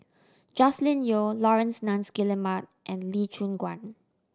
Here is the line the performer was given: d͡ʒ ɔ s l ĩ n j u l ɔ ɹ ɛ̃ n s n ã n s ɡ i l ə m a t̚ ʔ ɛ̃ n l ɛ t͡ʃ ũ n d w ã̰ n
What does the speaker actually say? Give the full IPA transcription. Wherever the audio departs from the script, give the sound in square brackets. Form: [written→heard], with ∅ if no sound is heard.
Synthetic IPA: d͡ʒ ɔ s l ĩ n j [u→o] l ɔ ɹ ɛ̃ n s n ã n s ɡ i l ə m a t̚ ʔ ɛ̃ n l [ɛ→i] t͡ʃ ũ n [d→ɡ] w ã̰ n